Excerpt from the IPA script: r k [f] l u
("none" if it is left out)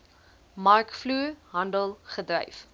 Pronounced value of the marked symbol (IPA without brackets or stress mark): f